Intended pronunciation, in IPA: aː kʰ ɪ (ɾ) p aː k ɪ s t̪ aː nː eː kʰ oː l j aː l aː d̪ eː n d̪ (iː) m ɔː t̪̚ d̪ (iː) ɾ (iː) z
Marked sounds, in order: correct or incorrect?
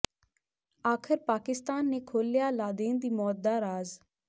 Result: correct, correct, incorrect: aː, incorrect: aː

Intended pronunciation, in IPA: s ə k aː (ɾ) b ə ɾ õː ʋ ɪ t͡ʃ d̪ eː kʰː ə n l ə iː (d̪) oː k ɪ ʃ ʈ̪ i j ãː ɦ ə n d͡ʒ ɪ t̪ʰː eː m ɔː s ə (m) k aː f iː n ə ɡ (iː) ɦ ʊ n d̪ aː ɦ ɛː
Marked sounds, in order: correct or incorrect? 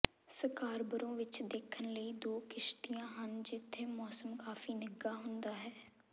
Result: correct, correct, correct, incorrect: aː

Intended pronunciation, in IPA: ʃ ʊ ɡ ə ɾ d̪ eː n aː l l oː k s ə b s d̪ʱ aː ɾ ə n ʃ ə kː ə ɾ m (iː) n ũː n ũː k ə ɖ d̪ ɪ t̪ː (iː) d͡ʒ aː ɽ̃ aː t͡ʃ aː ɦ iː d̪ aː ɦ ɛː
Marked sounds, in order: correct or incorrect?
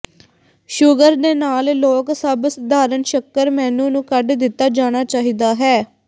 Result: incorrect: ɛː, incorrect: aː

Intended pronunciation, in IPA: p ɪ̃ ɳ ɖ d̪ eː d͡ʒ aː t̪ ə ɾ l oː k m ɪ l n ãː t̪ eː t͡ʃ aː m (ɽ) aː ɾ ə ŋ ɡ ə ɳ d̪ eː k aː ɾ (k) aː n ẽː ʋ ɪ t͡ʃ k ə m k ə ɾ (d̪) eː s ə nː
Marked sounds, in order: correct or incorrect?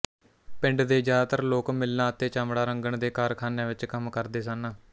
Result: correct, incorrect: kʰ, correct

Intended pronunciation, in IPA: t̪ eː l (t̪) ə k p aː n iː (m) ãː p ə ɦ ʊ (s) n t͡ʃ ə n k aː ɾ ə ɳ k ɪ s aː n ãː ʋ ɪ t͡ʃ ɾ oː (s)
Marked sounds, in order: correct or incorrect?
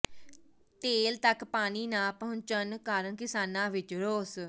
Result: correct, incorrect: n, incorrect: none, correct

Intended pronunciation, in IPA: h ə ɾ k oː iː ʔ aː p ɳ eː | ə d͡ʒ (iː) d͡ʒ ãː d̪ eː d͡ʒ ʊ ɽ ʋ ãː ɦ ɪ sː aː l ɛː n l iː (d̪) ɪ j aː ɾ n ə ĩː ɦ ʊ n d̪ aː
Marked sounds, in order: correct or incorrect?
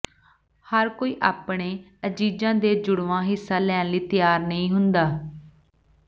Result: correct, incorrect: t̪

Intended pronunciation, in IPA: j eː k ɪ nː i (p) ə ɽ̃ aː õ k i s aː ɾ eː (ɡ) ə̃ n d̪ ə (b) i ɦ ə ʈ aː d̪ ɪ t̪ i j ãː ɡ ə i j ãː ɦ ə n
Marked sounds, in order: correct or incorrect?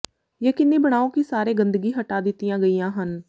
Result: incorrect: b, correct, incorrect: ɡ

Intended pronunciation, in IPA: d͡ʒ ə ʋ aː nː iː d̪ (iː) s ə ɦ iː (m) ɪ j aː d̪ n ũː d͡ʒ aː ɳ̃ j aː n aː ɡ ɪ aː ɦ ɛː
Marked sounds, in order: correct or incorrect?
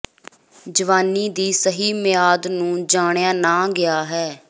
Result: correct, correct

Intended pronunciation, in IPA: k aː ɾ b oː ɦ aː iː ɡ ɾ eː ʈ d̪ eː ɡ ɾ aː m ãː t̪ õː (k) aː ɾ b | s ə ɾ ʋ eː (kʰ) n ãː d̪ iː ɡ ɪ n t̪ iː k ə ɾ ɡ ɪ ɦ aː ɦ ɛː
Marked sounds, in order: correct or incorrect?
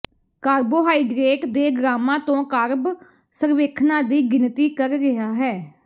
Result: correct, correct

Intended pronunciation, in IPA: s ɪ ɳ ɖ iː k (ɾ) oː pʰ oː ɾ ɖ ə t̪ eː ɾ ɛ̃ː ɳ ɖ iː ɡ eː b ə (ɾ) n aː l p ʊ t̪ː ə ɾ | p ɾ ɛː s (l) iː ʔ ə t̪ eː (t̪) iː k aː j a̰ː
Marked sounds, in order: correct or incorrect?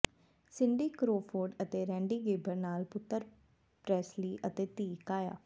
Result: correct, correct, correct, correct

